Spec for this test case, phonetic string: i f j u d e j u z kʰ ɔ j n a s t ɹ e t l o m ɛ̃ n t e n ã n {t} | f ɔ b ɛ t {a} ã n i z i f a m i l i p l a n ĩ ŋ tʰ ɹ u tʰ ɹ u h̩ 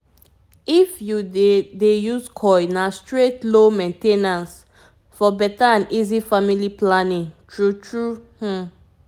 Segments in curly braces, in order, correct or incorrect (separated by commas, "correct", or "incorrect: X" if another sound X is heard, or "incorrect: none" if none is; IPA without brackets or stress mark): incorrect: s, correct